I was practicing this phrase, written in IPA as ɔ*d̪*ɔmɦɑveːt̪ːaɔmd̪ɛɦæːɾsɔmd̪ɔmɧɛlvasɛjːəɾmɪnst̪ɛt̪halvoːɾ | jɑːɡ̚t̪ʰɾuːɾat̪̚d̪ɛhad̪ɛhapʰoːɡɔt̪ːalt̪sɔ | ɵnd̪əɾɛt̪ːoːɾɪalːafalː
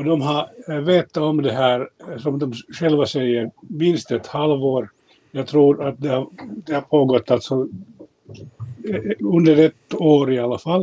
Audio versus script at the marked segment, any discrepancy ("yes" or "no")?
no